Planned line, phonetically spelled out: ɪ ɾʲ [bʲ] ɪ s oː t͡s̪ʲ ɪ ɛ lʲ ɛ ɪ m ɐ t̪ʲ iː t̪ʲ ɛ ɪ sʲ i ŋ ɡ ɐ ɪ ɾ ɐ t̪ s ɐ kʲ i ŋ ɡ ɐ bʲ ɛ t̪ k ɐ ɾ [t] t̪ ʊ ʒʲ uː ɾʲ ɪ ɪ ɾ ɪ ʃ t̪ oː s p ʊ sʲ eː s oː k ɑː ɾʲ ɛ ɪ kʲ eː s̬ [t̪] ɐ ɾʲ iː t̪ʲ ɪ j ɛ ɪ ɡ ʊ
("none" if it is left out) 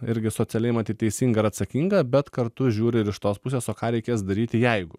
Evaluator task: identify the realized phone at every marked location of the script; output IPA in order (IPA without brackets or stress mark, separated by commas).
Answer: ɡʲ, t, d̪